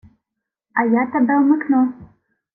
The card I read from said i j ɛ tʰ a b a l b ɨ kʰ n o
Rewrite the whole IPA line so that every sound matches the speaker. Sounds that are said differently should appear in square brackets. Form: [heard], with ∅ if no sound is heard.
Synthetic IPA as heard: [a] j [a] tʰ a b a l [m] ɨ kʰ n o